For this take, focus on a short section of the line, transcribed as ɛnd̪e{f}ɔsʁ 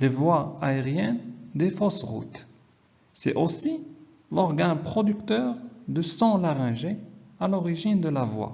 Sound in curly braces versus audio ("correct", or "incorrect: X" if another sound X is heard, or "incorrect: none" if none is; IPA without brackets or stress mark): correct